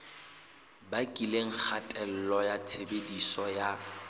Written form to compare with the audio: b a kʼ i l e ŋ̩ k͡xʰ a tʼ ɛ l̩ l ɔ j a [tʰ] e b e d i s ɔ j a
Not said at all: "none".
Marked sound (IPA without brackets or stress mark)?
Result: tʰ